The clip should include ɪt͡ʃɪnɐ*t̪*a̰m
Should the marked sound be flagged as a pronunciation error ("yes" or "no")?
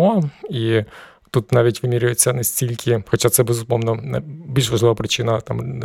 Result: no